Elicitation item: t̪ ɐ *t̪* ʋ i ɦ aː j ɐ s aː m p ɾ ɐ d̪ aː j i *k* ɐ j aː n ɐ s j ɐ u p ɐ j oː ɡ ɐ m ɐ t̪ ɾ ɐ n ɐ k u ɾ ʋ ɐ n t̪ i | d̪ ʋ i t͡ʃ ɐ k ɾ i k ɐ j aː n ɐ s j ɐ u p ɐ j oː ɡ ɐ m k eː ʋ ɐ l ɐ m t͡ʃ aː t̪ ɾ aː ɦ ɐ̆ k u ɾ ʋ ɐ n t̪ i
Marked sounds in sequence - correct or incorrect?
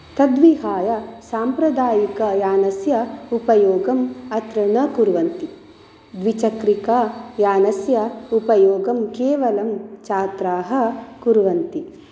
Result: incorrect, correct

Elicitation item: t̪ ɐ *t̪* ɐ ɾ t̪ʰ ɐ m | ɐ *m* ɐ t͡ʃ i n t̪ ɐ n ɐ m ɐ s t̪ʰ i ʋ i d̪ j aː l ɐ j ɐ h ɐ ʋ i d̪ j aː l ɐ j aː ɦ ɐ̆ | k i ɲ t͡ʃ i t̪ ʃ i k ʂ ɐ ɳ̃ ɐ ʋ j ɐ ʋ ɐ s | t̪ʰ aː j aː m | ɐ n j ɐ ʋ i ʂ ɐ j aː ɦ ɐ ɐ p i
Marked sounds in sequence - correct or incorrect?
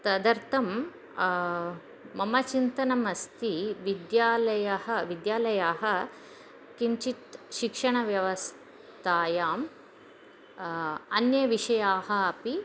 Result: incorrect, correct

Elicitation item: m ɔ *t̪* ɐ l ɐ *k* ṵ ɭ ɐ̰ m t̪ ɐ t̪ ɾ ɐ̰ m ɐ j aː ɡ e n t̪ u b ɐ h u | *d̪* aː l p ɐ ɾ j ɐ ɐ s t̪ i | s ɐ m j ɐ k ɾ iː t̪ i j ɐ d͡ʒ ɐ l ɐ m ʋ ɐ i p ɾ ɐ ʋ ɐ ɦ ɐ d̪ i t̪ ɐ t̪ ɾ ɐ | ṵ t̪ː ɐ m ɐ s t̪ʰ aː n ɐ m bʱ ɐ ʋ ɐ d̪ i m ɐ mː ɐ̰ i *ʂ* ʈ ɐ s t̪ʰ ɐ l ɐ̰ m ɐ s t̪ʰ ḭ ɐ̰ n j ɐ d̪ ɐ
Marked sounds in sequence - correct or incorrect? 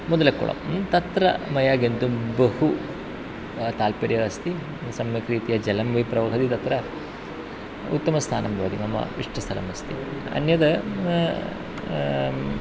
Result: incorrect, correct, incorrect, correct

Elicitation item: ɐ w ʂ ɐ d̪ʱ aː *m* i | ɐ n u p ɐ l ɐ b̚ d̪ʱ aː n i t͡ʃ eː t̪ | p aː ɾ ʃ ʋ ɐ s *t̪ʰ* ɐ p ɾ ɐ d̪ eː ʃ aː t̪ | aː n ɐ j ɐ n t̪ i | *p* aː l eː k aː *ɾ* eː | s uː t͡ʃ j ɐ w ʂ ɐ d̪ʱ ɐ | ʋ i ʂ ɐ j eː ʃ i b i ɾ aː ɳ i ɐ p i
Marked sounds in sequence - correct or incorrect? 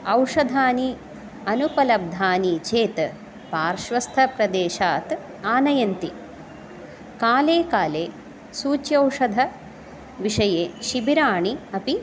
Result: incorrect, correct, incorrect, incorrect

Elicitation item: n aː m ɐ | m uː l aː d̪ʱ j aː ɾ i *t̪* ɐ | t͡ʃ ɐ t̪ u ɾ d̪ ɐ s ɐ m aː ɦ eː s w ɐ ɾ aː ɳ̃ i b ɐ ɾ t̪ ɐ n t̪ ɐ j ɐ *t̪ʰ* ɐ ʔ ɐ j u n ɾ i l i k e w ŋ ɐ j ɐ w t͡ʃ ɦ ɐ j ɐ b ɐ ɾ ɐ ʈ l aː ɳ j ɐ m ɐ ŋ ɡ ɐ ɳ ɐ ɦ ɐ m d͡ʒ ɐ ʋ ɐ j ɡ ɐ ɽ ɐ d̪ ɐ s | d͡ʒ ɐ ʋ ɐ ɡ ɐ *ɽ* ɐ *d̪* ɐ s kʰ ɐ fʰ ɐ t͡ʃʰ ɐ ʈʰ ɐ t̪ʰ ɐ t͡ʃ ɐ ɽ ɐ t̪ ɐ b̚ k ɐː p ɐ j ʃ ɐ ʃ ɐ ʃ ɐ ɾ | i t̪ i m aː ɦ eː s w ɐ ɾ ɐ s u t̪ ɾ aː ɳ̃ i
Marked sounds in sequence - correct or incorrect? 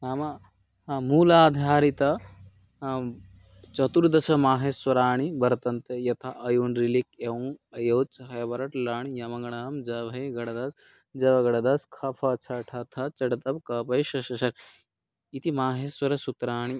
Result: correct, correct, correct, correct

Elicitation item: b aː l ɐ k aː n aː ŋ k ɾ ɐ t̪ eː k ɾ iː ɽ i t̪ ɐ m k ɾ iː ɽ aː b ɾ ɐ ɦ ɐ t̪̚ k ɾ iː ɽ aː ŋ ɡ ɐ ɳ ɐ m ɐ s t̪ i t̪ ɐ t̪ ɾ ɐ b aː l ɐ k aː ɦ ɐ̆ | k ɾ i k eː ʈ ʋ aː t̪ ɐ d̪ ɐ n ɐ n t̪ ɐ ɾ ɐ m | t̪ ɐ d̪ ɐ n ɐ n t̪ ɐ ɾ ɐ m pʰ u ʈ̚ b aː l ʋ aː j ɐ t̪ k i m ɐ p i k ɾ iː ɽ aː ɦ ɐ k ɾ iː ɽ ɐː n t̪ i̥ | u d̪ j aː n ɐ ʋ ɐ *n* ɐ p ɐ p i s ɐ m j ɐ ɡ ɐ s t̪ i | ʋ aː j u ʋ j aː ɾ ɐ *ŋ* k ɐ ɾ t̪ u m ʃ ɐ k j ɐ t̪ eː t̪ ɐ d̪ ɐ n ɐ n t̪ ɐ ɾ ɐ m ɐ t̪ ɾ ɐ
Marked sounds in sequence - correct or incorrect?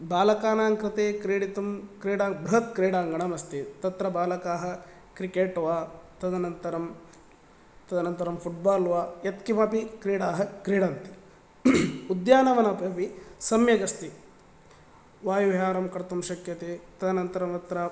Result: correct, incorrect

